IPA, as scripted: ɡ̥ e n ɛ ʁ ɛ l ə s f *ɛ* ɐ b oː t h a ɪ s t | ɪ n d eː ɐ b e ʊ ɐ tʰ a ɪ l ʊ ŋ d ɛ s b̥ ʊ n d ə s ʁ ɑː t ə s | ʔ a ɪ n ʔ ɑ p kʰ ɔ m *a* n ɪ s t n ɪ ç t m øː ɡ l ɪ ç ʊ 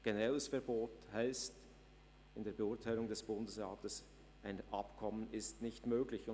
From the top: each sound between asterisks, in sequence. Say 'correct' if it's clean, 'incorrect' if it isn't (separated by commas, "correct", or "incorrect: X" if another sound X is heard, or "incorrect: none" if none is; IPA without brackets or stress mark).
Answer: correct, incorrect: ə